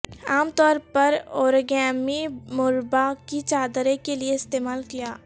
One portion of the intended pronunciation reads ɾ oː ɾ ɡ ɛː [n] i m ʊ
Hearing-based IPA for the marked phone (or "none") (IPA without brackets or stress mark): m